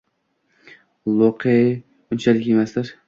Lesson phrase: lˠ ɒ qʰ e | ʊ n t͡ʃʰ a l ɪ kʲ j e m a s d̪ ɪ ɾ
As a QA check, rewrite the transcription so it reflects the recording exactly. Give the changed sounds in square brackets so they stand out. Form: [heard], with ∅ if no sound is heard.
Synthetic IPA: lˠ [o] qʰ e | ʊ n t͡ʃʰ a l ɪ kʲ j e m a s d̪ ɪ ɾ